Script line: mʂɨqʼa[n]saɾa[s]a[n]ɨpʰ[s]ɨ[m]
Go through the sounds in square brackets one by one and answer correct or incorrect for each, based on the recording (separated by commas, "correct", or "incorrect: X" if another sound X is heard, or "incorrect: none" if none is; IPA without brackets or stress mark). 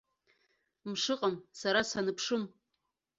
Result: incorrect: m, correct, correct, incorrect: ʂ, correct